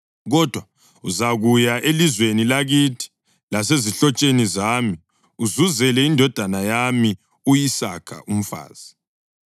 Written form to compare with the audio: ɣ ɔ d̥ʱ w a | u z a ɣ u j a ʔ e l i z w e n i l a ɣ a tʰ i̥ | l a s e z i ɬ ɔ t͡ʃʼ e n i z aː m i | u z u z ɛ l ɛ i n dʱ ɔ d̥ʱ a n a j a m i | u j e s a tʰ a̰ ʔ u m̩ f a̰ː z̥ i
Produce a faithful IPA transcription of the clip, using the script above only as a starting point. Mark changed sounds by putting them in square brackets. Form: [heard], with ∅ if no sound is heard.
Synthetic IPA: ɣ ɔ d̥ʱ w a | u z a ɣ u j a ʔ e l i z w e n i l a ɣ [i] tʰ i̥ | l a s e z i ɬ ɔ t͡ʃʼ e n i z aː m i | u z u z ɛ l ɛ i n dʱ ɔ d̥ʱ a n a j a m i | u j [i] s a [kʰ] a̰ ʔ u m̩ f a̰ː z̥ i